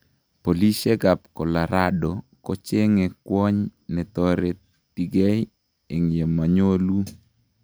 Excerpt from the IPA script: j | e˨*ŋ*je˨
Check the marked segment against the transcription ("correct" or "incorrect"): correct